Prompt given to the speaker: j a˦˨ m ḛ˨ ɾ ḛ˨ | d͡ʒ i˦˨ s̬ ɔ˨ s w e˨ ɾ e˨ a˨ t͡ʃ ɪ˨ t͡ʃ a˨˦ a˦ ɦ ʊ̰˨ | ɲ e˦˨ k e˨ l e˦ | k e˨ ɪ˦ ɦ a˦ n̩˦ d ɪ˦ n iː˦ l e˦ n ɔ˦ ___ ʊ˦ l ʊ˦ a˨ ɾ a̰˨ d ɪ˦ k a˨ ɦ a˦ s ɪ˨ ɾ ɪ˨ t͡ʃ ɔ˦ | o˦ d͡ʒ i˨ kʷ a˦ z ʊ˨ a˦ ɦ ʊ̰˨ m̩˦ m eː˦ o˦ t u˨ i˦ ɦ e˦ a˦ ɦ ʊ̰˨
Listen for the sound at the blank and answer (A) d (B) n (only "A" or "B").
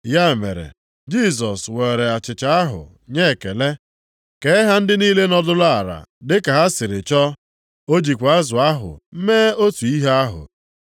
A